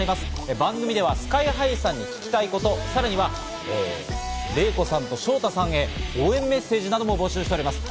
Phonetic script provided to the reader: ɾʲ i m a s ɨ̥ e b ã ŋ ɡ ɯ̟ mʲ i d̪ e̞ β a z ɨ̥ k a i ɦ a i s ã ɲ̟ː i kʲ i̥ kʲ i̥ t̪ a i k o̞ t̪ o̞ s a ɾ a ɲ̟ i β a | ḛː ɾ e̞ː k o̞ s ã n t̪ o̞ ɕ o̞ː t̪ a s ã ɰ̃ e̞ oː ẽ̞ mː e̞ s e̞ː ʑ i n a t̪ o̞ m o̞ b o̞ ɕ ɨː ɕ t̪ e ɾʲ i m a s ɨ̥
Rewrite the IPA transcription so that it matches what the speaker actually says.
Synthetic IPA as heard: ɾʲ i m a s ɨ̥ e b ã ŋ ɡ ɯ̟ mʲ i d̪ e̞ β a s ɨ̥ k a i ɦ a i s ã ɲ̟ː i kʲ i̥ kʲ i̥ t̪ a i k o̞ t̪ o̞ s a ɾ a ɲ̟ i β a | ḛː ɾ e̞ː k o̞ s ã n t̪ o̞ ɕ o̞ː t̪ a s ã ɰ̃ e̞ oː ẽ̞ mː e̞ s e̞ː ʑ i n a d̪ o̞ m o̞ b o̞ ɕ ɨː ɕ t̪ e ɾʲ i m a s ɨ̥